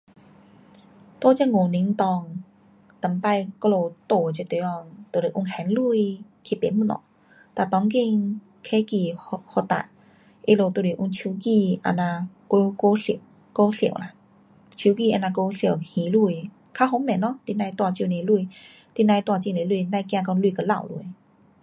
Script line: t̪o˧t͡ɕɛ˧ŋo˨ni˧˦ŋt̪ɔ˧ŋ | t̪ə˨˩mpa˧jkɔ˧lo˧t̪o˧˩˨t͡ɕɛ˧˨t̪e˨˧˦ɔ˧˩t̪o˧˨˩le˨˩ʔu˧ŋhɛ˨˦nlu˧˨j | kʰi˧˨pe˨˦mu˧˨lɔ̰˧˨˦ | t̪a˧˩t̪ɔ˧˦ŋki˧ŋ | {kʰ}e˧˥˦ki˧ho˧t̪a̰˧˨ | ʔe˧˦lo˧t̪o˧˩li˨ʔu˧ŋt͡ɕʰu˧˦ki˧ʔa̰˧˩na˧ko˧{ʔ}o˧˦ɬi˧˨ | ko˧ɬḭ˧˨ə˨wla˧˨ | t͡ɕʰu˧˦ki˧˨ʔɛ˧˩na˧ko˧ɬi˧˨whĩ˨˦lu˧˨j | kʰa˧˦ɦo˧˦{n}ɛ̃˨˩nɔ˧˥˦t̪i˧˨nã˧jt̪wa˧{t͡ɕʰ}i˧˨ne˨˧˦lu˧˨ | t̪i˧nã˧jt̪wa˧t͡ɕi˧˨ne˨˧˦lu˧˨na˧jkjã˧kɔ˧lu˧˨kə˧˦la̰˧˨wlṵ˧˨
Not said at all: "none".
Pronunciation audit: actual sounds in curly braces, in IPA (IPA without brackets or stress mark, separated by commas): kʰ, k, m, t͡ɕ